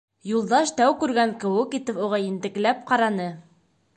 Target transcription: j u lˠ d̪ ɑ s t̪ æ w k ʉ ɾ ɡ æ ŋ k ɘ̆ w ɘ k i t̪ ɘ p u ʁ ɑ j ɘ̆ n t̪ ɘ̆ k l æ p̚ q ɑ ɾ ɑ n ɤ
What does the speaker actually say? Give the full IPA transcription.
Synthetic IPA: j u lˠ d̪ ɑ ʃ t̪ æ w k ʉ ɾ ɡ æ ŋ k ɘ̆ w ɘ k i t̪ ɘ p u ʁ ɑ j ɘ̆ n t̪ ɘ̆ k l æ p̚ q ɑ ɾ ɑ n ɤ